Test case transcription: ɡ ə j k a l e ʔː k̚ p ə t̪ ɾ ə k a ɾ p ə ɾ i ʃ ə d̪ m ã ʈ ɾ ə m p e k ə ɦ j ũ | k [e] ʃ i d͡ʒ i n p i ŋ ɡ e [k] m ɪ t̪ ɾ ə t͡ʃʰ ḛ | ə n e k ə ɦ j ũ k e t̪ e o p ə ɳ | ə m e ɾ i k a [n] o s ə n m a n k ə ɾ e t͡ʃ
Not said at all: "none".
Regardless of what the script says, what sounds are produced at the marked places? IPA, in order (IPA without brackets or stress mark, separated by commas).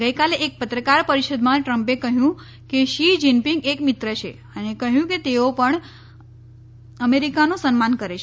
e, k, n